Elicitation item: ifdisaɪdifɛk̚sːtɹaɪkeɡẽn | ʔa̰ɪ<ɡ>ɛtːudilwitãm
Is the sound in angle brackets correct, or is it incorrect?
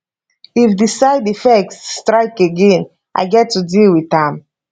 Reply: correct